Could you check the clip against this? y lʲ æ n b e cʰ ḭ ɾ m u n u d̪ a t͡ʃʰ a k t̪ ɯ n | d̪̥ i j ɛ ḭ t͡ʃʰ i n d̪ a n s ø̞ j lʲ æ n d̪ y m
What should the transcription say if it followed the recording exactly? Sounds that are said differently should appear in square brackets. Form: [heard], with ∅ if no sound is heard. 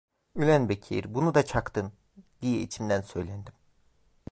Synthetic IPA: y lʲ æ n b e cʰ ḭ ɾ [b] u n u d̪ a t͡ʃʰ a k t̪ ɯ n | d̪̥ i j ɛ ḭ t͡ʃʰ i [m] d̪ [æ] n s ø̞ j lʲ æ n d̪ [i] m